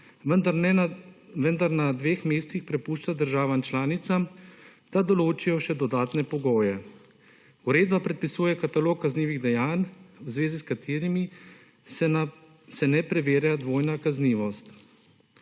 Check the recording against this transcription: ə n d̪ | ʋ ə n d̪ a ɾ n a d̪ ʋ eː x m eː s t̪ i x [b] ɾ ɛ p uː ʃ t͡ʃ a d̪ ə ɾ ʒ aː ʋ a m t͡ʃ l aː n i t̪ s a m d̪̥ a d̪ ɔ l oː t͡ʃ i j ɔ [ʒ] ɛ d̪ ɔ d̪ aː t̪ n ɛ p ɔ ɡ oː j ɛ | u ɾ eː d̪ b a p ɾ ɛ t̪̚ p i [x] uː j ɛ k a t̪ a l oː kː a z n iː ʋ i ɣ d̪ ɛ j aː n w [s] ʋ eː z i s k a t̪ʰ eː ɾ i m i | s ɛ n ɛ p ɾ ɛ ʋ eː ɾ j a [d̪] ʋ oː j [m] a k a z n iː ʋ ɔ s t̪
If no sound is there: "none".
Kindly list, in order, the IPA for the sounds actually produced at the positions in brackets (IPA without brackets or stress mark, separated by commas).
p, ʃ, s, z, d̪, n